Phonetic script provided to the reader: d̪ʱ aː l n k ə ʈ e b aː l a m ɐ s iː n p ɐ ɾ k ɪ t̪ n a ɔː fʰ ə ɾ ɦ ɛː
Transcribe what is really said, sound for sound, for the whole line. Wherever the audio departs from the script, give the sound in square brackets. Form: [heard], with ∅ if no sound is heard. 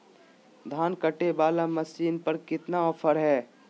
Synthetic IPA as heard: d̪ʱ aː [∅] n k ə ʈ e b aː l a m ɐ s iː n p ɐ ɾ k ɪ t̪ n a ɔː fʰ ə ɾ ɦ ɛː